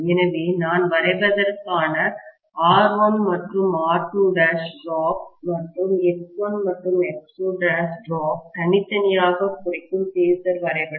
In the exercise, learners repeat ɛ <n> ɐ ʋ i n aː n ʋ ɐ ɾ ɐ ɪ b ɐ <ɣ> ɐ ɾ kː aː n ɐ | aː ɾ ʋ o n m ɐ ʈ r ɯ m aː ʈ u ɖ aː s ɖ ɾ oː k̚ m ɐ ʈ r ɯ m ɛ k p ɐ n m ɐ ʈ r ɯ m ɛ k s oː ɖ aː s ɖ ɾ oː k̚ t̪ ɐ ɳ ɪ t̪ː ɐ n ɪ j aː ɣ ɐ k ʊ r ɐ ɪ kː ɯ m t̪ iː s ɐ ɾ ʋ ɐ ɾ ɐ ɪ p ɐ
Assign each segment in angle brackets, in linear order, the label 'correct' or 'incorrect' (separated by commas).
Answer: correct, incorrect